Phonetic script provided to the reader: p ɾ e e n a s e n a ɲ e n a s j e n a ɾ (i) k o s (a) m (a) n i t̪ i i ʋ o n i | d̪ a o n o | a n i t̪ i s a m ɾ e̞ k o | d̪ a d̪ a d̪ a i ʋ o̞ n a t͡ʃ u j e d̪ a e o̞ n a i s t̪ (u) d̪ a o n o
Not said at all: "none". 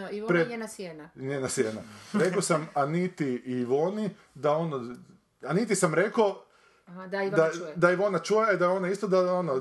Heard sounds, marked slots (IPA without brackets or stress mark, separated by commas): e, a, a, o